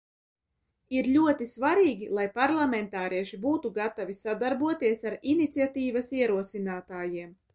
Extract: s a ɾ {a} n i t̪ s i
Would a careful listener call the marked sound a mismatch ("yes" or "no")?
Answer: yes